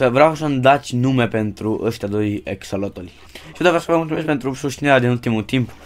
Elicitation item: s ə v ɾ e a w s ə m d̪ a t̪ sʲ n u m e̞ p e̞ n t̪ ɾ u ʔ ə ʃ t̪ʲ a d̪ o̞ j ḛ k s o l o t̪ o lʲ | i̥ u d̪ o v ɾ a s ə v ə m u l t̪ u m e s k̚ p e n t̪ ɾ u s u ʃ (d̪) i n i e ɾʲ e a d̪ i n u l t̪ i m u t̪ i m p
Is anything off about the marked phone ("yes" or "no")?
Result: yes